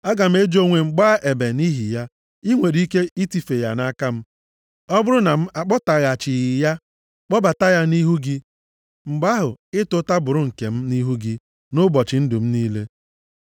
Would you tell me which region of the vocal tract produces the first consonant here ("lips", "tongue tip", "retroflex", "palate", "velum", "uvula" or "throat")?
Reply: velum